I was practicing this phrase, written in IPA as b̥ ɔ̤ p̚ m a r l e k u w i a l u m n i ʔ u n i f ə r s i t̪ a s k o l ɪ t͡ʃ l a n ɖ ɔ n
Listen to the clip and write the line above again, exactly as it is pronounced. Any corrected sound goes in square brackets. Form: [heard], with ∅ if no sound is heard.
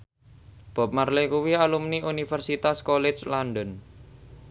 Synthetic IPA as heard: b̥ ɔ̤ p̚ m a r l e k u w i a l u m n i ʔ u n i f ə r s i t̪ a s k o l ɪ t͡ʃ l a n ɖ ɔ n